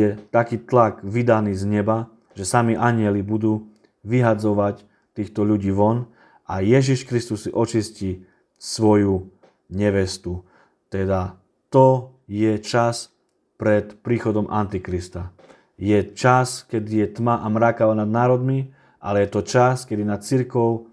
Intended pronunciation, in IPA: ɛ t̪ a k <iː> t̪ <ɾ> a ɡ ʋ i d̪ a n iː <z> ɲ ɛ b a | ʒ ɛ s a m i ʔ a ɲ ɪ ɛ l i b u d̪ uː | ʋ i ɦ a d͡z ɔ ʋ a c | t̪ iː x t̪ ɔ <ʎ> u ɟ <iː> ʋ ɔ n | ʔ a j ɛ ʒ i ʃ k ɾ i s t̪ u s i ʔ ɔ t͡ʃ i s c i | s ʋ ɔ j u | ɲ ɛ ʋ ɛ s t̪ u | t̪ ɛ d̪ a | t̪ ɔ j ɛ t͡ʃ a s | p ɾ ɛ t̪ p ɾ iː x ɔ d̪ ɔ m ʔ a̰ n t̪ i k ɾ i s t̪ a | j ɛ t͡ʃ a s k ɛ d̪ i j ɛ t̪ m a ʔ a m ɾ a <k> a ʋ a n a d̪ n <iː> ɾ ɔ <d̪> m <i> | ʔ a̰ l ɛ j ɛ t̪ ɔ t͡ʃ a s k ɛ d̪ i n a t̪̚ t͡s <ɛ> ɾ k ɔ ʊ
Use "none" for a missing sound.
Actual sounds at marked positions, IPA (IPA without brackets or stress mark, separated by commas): iː, l, z, ʎ, iː, k, aː, d̪, i, i